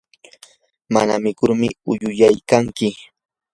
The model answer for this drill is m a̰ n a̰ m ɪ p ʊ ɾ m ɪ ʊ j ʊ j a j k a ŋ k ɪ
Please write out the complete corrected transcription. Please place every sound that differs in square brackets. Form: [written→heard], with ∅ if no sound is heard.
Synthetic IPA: m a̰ n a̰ m ɪ [p→k] ʊ ɾ m ɪ ʊ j ʊ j a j k a ŋ k ɪ